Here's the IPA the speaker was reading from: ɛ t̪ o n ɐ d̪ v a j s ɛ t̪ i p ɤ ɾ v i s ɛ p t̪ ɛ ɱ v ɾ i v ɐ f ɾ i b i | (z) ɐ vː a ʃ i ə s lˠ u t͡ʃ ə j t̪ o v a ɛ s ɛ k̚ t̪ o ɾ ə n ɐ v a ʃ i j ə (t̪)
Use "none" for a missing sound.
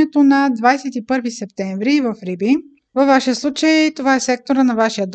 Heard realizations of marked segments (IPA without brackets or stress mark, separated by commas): v, d̪